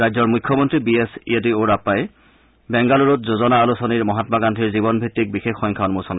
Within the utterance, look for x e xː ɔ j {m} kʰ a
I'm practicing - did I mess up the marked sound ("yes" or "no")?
yes